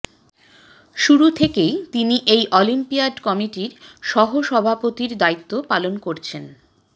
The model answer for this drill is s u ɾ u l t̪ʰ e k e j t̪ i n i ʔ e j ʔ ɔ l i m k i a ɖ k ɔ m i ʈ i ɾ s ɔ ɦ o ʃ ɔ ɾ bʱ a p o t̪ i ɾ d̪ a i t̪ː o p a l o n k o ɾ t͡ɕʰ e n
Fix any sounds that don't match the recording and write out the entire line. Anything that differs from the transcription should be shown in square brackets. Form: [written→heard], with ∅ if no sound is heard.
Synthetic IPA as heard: [s→ʃ] u ɾ u [l→∅] t̪ʰ e k e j t̪ i n i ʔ e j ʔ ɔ l i m [k→p] i a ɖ k ɔ m i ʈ i ɾ [s→ʃ] ɔ ɦ o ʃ ɔ [ɾ→∅] bʱ a p o t̪ i ɾ d̪ a i t̪ː o p a l o n k o ɾ t͡ɕʰ e n